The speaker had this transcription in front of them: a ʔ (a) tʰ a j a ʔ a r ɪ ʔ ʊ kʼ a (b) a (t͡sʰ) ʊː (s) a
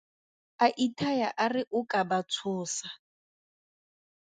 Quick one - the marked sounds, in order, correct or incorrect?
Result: incorrect, correct, correct, correct

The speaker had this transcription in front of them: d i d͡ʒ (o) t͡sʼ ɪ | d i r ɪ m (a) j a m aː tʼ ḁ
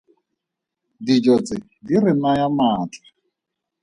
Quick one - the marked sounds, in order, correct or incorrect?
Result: incorrect, correct

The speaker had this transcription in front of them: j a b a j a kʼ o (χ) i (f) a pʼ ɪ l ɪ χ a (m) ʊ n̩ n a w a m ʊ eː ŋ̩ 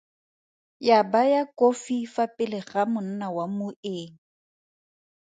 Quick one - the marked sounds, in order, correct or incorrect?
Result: incorrect, correct, correct

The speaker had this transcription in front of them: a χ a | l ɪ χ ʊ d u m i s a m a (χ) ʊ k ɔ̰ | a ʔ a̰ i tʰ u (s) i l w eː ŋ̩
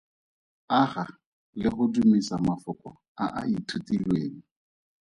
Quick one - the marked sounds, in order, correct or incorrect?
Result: incorrect, incorrect

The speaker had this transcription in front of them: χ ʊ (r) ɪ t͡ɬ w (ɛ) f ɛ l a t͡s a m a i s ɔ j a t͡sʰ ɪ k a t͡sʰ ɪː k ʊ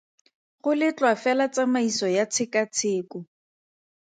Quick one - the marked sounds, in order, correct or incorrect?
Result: incorrect, incorrect

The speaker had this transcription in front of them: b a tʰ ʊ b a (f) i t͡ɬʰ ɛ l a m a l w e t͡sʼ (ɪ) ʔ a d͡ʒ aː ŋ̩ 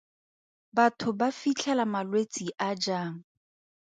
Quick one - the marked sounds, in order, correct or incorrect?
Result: correct, incorrect

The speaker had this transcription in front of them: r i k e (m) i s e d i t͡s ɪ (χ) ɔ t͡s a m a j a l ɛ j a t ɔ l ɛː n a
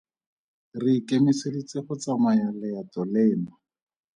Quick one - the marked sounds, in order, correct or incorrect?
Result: correct, correct

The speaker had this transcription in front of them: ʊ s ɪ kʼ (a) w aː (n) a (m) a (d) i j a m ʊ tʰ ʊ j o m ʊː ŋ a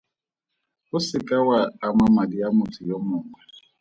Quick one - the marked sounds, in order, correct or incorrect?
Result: correct, incorrect, correct, correct

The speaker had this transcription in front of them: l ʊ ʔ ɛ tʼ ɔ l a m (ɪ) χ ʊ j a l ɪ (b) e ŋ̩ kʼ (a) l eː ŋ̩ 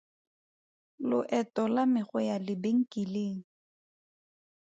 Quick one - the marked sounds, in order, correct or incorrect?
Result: correct, correct, incorrect

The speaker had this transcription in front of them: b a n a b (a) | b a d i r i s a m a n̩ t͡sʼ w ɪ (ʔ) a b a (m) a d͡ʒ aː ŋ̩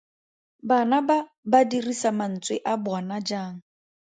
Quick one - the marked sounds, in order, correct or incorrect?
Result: correct, correct, incorrect

